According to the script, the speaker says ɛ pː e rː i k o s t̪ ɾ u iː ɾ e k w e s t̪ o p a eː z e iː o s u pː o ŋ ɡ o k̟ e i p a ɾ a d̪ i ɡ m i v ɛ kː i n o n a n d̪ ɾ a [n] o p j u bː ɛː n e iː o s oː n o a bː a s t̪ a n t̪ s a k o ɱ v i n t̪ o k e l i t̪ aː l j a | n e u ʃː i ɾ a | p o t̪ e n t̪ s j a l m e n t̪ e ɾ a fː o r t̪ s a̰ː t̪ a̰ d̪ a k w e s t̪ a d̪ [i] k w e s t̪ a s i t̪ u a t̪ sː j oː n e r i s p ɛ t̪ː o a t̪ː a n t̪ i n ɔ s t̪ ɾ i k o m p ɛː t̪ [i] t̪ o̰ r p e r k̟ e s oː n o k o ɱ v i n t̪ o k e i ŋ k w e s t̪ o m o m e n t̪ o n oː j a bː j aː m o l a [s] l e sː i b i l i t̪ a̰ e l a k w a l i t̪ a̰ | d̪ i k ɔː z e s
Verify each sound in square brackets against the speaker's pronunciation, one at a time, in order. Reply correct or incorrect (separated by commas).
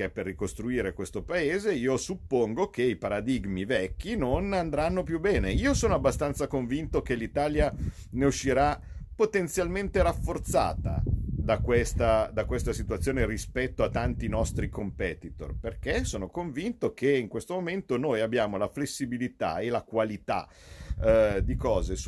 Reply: incorrect, incorrect, correct, incorrect